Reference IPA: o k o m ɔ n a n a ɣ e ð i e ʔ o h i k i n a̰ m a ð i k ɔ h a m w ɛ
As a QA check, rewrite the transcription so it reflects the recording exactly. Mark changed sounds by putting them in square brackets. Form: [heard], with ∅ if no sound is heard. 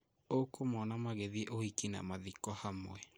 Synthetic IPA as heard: o k o m ɔ n a [m] a ɣ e ð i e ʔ o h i k i n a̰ m a ð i k ɔ h a m w ɛ